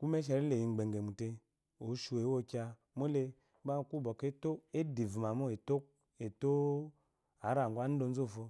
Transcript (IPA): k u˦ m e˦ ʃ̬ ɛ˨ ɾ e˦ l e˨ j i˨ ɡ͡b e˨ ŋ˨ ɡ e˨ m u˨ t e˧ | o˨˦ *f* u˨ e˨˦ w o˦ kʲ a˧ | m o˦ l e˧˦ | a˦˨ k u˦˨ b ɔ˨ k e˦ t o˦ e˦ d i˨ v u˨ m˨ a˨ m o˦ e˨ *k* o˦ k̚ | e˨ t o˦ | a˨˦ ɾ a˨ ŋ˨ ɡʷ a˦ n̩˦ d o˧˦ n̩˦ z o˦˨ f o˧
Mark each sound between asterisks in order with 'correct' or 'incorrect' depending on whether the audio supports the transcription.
incorrect: ʃ, incorrect: t

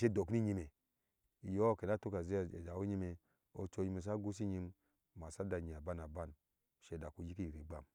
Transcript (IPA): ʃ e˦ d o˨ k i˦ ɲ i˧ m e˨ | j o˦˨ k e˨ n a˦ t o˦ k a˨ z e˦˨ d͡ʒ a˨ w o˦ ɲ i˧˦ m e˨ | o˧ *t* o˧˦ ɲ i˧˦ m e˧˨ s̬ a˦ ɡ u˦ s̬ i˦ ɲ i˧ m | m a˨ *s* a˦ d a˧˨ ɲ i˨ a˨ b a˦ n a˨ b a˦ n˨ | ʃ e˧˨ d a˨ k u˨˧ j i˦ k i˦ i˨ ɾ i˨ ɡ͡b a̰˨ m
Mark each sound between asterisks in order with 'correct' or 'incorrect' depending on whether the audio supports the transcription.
incorrect: t͡ʃ, correct

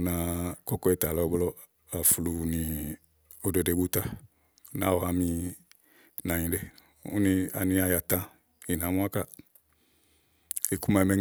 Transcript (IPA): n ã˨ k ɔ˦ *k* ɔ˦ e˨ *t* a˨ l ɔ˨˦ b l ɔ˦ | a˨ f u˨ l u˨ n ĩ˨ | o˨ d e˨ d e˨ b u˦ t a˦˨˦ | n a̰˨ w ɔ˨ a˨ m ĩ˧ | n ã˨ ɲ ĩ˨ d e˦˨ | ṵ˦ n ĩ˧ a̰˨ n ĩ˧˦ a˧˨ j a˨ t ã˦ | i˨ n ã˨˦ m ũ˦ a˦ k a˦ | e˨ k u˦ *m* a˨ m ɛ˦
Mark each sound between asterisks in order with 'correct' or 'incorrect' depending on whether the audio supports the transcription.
correct, correct, correct

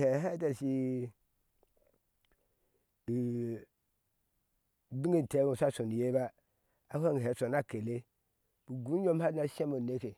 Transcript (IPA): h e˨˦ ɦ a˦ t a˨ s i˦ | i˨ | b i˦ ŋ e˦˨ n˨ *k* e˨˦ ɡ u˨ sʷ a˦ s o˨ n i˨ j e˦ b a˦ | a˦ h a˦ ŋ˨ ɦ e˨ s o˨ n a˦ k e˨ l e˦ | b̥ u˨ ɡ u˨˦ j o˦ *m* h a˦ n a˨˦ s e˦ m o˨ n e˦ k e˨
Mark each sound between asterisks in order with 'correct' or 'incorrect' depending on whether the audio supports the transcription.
incorrect: t, correct

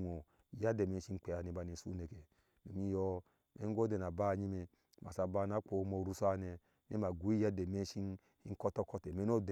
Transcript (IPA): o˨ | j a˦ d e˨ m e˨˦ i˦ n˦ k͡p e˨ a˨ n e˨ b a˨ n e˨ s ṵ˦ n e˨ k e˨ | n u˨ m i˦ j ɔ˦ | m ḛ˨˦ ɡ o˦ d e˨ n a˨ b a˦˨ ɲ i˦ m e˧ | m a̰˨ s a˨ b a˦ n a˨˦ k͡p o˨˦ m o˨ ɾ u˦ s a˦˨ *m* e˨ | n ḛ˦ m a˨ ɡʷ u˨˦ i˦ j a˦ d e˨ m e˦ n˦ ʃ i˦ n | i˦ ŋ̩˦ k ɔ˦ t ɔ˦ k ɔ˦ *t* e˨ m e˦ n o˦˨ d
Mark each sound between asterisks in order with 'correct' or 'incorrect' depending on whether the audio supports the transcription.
incorrect: n, correct

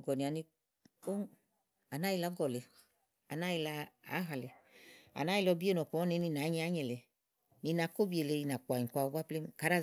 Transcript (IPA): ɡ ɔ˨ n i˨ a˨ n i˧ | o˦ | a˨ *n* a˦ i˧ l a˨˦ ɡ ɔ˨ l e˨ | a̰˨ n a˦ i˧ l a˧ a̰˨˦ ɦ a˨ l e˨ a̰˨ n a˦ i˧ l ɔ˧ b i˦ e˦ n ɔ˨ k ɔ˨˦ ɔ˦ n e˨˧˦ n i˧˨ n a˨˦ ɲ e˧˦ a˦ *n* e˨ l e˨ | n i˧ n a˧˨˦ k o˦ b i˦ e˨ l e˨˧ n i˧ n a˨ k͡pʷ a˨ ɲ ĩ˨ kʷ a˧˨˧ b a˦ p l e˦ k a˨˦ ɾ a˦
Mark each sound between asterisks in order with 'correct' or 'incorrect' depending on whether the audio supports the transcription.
correct, incorrect: ɲ

